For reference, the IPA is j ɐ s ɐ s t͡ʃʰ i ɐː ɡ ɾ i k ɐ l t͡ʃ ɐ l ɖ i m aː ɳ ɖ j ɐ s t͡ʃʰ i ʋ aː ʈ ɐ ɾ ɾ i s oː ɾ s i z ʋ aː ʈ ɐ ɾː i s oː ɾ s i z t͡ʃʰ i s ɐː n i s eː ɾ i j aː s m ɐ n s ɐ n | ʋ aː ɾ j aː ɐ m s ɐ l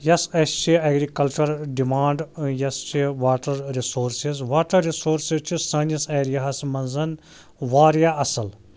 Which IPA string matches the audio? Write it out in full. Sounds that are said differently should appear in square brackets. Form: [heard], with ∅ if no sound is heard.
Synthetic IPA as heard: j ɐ s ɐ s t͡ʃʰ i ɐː ɡ ɾ i k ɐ l t͡ʃ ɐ [ɾ] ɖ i m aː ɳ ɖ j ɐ s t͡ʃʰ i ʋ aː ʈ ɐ ɾ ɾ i s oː ɾ s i z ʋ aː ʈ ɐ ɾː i s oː ɾ s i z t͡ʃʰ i s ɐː n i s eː ɾ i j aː s m ɐ n [z] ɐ n | ʋ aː ɾ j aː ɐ [∅] s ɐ l